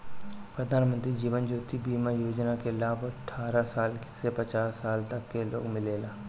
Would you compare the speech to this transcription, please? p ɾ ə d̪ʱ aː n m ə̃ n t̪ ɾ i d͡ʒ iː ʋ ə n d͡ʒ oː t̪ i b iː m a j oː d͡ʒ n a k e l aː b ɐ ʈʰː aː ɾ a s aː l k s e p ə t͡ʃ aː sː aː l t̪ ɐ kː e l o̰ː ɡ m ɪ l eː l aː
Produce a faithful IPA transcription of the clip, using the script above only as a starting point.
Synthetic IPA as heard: p ɾ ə d̪ʱ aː n m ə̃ n t̪ ɾ i d͡ʒ iː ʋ ə n d͡ʒ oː t̪ i b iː m a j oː d͡ʒ n a k e l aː b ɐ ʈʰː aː ɾ a s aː l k s e p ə t͡ʃ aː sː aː l t̪ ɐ kː e l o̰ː ɡ m ɪ l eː l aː